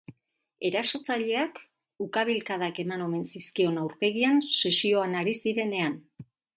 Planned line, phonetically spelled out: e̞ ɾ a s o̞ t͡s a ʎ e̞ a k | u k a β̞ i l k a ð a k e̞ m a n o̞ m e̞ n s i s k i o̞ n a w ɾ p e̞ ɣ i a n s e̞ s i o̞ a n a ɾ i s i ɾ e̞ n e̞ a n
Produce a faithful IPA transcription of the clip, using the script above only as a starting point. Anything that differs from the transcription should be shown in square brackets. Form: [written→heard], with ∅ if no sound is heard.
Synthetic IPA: e̞ ɾ a s o̞ t͡s a ʎ e̞ a k | u k a β̞ i l k a ð a k e̞ m a n o̞ m e̞ n s i s k i o̞ n a w ɾ p e̞ ɣ i a n s e̞ s i o̞ a n a ɾ i s i ɾ e̞ n e̞ a n